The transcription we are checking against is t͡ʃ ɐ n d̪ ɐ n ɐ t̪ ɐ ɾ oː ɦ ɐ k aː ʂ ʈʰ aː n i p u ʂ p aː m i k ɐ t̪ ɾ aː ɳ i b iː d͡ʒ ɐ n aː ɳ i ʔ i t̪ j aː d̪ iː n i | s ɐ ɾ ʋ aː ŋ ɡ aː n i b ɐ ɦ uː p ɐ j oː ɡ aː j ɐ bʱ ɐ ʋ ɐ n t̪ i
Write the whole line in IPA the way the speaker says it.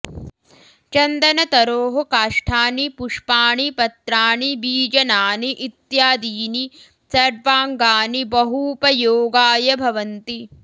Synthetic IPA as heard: t͡ʃ ɐ n d̪ ɐ n ɐ t̪ ɐ ɾ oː ɦ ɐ k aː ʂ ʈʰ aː n i p u ʂ p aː ɳ i p ɐ t̪ ɾ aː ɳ i b iː d͡ʒ ɐ n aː n i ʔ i t̪ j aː d̪ iː n i | s ɐ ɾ ʋ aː ŋ ɡ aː n i b ɐ ɦ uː p ɐ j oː ɡ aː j ɐ bʱ ɐ ʋ ɐ n t̪ i